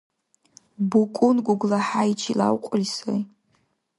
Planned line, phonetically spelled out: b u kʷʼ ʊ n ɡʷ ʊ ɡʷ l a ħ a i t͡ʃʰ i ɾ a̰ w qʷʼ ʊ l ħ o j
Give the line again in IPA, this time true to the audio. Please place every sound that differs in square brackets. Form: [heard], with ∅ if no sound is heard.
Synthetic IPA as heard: b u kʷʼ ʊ n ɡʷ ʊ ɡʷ l a ħ a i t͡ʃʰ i [l] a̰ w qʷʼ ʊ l [s] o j